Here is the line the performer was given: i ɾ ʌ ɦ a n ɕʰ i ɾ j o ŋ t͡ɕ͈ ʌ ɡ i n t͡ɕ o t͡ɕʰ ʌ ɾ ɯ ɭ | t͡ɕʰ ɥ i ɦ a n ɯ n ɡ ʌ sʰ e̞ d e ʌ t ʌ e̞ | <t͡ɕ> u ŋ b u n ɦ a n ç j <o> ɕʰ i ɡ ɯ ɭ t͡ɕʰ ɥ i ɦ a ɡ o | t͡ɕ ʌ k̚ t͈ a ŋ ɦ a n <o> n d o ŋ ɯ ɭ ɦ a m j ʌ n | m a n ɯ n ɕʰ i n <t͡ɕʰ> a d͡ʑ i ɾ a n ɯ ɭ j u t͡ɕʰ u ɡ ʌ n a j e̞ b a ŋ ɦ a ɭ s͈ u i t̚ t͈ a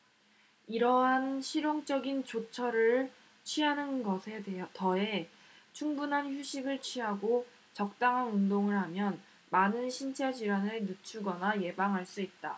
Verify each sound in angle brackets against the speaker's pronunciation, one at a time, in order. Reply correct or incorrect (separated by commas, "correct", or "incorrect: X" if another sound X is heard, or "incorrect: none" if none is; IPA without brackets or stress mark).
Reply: incorrect: t͡ɕʰ, incorrect: u, incorrect: u, correct